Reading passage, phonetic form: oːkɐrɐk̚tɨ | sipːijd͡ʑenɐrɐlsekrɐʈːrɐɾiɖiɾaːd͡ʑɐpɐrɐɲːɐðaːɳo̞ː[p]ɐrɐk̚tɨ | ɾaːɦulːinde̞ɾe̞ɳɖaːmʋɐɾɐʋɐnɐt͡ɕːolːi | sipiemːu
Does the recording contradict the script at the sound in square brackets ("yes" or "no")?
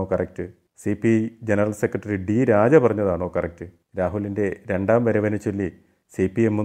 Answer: yes